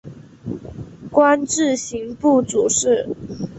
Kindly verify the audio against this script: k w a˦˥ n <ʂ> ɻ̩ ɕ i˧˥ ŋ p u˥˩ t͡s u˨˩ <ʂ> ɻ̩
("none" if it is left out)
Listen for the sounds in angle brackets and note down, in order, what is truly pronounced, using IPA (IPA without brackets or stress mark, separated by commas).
ʈ͡ʂ, ʂ